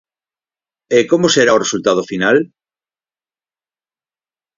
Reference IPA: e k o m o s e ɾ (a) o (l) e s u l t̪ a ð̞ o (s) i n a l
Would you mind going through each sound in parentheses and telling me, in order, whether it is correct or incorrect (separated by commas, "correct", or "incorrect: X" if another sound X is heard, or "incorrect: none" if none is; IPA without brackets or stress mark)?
correct, incorrect: r, incorrect: f